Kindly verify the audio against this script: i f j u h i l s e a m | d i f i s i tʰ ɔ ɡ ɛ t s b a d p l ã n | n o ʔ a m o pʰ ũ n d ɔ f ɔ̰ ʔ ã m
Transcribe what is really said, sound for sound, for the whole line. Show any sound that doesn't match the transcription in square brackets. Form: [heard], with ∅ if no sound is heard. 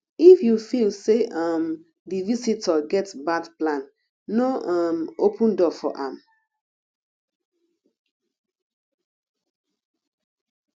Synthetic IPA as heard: i f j u [f] i l s e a m | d i [v] i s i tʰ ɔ ɡ ɛ t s b a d p l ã n | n o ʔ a m o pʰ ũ n d ɔ f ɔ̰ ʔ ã m